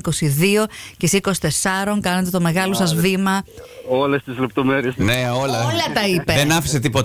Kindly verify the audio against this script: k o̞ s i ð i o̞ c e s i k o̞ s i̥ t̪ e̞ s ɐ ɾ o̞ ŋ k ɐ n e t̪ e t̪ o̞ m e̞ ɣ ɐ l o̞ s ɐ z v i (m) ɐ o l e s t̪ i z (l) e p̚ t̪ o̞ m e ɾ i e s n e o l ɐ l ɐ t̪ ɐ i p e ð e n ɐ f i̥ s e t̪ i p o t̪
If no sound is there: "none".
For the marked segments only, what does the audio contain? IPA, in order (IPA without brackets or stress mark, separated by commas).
m, l